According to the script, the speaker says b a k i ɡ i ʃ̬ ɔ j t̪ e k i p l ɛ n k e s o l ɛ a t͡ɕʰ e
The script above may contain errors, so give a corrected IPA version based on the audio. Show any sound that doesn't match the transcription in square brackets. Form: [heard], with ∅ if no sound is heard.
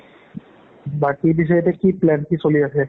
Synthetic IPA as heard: b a k i [b] i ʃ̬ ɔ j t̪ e k i p l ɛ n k [i] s o l [i] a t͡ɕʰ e